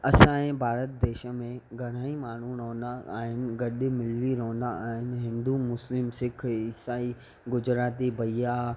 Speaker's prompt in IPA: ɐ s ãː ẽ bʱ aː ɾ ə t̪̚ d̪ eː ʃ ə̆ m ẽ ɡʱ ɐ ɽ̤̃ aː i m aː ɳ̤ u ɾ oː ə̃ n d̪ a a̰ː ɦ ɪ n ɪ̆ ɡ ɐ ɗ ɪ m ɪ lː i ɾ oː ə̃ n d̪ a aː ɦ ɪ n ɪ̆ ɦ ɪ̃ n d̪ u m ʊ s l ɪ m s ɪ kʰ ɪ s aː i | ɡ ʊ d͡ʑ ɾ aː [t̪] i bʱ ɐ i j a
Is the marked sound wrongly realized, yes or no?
no